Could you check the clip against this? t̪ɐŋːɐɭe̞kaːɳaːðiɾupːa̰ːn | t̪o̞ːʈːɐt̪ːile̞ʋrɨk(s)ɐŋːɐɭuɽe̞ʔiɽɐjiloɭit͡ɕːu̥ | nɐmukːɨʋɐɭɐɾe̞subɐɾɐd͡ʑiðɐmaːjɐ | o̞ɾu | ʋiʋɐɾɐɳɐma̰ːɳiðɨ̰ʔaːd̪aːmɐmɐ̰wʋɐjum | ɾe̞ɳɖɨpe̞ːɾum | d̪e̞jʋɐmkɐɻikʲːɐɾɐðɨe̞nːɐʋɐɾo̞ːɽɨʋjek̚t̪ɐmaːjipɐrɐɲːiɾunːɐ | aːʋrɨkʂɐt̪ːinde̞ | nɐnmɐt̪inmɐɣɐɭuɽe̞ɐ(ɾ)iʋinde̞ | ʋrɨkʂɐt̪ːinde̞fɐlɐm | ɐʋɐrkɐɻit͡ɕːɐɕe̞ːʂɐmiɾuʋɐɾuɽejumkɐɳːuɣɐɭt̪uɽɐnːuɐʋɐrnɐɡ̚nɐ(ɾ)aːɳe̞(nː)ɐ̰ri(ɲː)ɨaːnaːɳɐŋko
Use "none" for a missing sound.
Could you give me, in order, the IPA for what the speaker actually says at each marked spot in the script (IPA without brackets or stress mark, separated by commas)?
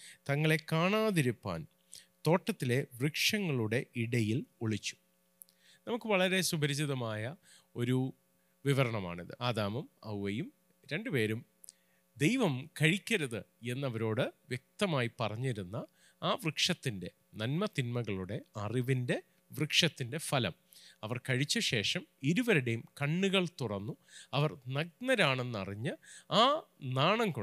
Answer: ʂ, r, ɾ, nː, ɲː